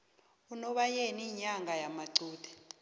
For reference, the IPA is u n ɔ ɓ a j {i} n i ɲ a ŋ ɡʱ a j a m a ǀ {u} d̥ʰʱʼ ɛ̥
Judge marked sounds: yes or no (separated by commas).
no, no